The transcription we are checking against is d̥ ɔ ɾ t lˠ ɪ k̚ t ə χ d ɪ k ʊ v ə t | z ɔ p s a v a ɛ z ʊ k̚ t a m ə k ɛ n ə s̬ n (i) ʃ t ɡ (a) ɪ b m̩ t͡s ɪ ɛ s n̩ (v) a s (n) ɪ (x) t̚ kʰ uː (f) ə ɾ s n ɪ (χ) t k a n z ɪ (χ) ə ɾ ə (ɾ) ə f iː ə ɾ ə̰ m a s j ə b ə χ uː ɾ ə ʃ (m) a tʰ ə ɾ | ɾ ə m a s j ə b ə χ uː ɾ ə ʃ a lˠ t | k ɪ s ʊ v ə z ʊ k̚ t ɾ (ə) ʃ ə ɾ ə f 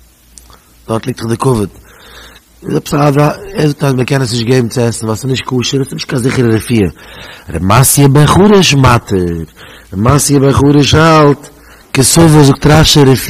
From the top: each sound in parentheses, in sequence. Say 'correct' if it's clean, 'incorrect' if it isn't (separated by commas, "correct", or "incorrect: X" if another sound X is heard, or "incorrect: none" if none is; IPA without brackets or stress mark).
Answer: incorrect: ɪ, incorrect: e, correct, correct, incorrect: ʃ, incorrect: ʃ, incorrect: ʃ, correct, correct, correct, incorrect: a